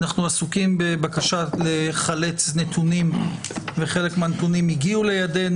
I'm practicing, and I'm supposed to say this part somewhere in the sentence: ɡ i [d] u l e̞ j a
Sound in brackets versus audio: incorrect: none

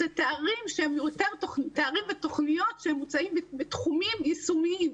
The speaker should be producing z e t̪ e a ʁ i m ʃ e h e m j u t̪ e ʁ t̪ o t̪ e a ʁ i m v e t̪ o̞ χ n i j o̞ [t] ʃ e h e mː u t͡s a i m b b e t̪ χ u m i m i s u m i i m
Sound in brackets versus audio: correct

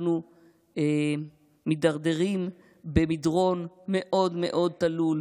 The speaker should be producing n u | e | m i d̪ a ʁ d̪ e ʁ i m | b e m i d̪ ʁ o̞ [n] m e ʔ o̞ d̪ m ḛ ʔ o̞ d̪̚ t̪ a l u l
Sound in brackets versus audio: correct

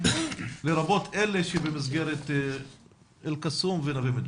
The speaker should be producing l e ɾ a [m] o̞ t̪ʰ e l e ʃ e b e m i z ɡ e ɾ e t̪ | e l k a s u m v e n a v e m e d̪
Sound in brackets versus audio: incorrect: b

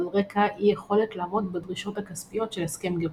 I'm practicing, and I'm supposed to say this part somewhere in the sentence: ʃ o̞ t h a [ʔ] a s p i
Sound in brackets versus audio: incorrect: k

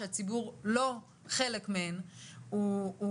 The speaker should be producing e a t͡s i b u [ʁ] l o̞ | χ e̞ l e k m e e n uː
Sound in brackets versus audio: correct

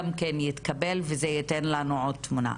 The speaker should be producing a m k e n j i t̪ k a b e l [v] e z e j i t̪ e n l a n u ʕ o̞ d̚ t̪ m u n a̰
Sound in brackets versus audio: correct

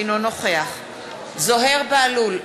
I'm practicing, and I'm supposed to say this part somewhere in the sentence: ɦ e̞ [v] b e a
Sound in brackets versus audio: incorrect: ʁ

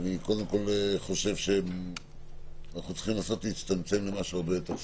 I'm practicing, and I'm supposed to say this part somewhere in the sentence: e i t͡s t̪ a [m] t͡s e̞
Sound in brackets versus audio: correct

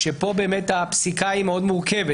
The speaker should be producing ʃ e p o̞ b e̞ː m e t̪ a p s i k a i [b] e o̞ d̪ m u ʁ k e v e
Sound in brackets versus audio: incorrect: m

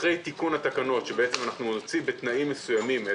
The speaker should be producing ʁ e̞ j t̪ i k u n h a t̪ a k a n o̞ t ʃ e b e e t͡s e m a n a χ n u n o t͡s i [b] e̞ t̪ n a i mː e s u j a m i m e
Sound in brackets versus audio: correct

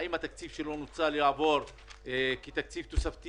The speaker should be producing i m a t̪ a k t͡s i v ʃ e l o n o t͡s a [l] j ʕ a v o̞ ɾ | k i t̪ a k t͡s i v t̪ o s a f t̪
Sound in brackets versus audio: correct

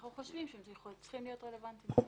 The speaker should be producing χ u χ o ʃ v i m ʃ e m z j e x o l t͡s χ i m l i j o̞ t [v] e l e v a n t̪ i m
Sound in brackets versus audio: incorrect: ʁ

